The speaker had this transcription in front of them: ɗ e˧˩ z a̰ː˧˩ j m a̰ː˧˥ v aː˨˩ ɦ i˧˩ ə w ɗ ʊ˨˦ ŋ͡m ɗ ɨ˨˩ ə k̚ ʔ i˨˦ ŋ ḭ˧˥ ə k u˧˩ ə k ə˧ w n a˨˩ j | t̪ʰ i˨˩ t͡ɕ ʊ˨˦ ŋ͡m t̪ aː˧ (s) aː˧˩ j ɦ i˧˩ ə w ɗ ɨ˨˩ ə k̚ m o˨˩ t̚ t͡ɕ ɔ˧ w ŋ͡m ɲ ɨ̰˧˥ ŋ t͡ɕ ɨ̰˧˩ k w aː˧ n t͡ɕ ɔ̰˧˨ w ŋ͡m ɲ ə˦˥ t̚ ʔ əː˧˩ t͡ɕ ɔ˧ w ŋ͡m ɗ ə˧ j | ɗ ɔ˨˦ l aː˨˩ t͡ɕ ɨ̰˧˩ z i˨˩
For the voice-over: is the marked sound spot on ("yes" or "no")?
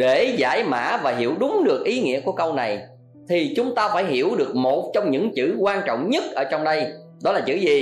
no